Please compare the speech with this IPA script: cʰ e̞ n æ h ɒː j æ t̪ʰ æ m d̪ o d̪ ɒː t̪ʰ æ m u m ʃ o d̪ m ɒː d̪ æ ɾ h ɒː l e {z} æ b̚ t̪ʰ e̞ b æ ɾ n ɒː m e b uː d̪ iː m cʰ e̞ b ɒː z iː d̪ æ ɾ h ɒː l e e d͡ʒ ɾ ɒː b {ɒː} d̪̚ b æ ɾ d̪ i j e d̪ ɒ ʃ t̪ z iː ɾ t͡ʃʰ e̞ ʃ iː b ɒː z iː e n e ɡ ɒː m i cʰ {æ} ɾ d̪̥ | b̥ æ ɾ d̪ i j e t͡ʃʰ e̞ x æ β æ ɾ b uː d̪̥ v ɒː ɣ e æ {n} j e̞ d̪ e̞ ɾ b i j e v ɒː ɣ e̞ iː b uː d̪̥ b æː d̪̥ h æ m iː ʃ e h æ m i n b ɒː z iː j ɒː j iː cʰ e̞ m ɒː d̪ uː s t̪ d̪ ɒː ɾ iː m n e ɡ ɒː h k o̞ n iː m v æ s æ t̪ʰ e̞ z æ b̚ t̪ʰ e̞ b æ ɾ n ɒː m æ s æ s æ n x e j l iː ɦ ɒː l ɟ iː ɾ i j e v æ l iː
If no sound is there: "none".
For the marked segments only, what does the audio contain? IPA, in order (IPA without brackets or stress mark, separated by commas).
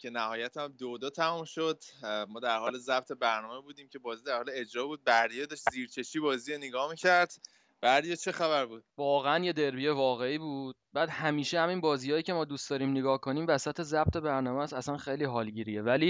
z, uː, æ, n